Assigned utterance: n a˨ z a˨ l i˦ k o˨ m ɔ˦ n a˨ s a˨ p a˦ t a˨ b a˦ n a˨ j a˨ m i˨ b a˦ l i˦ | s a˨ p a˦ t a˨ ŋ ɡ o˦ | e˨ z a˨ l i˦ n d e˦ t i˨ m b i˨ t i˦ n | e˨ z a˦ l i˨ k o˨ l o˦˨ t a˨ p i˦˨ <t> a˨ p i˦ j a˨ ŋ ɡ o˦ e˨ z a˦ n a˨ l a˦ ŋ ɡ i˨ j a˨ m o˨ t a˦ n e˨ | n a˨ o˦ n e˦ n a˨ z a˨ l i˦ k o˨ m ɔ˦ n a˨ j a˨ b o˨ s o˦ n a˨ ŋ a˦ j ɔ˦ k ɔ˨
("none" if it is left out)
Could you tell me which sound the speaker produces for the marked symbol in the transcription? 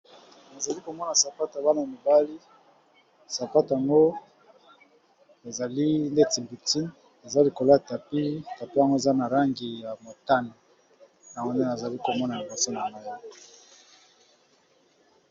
t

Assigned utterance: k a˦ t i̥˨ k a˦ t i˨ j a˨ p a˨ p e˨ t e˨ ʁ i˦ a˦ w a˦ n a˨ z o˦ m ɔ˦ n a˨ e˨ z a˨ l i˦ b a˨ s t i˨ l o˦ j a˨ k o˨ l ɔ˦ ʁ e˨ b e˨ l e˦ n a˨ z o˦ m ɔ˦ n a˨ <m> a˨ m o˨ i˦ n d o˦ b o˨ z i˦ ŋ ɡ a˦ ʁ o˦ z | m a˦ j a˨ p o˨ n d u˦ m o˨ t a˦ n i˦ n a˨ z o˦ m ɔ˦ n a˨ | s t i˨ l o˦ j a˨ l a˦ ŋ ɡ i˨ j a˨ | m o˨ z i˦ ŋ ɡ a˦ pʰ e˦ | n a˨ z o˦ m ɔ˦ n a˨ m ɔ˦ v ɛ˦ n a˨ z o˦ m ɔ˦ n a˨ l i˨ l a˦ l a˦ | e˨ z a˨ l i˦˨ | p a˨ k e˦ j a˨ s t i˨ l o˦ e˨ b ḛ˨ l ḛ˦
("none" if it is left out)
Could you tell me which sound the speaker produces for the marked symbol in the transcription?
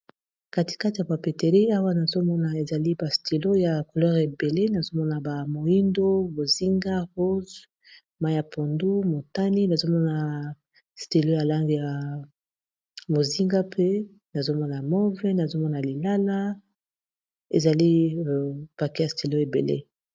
b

